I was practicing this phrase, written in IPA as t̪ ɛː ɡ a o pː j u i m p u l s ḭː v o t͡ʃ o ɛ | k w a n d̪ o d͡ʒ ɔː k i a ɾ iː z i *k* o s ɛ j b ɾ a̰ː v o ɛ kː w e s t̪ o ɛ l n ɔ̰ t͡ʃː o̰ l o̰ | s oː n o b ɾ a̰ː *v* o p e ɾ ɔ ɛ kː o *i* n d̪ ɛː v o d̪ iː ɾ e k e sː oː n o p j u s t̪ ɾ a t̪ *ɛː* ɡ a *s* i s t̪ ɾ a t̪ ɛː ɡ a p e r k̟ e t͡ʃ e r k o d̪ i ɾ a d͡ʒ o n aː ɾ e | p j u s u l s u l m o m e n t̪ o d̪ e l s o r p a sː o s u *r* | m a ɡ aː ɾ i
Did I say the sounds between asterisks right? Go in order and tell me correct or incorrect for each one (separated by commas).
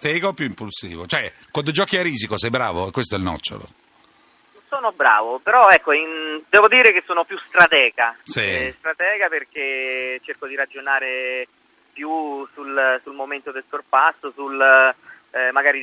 correct, correct, correct, correct, correct, incorrect